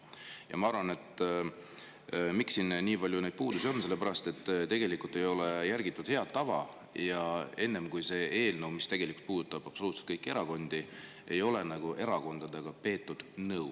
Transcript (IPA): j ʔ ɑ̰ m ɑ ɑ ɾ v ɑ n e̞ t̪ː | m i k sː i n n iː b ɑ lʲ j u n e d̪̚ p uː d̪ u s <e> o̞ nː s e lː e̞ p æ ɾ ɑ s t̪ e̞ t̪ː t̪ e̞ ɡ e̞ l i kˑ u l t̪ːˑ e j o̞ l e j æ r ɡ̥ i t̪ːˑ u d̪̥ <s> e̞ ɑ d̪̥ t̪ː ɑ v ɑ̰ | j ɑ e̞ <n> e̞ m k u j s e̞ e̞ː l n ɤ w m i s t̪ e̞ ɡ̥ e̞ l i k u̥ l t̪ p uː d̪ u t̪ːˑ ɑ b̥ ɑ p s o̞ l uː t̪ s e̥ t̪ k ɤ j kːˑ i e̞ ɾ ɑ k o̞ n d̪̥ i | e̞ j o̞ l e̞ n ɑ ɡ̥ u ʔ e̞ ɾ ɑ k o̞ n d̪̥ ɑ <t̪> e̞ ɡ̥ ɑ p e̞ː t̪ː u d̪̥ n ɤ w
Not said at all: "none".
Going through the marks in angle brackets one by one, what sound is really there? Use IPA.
i, h, nː, d̪

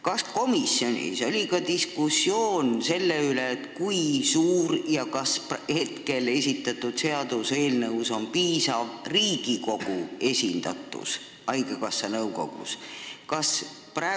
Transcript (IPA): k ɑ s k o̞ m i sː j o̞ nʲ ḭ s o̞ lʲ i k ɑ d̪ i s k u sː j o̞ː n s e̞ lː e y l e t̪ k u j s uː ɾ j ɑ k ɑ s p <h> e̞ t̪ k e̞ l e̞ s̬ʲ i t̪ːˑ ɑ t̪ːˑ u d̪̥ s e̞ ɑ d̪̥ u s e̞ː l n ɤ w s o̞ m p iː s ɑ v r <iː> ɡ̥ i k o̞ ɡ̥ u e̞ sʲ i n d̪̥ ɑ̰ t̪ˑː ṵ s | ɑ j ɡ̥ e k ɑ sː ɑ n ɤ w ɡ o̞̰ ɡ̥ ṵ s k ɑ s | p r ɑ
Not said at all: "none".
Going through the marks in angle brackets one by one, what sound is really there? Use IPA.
h, iː

